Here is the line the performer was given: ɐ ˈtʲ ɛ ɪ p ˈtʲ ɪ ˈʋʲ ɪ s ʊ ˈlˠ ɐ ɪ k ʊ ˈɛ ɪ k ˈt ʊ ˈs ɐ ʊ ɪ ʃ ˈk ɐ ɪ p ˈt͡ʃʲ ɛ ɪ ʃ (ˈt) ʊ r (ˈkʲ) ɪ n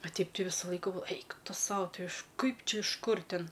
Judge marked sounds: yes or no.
no, no

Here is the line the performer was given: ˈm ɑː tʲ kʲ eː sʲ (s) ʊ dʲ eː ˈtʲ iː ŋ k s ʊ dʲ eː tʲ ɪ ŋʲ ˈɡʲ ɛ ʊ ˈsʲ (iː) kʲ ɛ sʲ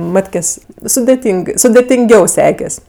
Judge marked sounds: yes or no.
yes, no

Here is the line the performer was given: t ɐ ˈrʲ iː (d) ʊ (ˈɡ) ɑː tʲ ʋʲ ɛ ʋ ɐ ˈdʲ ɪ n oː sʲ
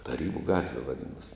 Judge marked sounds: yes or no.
no, yes

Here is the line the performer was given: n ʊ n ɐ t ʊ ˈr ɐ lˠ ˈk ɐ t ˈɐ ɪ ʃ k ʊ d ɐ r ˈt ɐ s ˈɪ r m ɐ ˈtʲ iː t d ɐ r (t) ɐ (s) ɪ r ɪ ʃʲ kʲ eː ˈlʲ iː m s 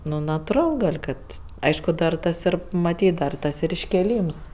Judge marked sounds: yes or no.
yes, yes

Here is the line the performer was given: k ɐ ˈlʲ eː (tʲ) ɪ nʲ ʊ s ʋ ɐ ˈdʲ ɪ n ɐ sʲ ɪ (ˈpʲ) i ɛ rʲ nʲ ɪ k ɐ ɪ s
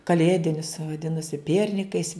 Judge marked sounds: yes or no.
no, yes

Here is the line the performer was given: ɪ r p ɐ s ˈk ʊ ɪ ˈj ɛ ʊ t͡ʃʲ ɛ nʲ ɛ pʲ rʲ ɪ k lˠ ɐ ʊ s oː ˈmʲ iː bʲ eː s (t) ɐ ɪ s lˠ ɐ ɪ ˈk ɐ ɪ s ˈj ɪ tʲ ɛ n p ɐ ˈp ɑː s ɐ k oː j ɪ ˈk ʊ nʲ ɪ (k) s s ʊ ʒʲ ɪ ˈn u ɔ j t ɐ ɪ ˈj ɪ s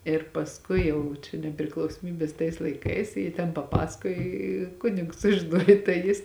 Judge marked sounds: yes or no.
yes, yes

